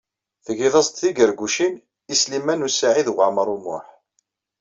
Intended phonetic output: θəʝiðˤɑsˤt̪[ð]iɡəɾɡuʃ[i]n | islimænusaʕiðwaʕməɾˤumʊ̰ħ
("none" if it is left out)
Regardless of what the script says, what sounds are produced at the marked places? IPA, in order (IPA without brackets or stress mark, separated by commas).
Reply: θ, i